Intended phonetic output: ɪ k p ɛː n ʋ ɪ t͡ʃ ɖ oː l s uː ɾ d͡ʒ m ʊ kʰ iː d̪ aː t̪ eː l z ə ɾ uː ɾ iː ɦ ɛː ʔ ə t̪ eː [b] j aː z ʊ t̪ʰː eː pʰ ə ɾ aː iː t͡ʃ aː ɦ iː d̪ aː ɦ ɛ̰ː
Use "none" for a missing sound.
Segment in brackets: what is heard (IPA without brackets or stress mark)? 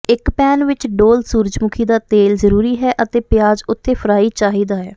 p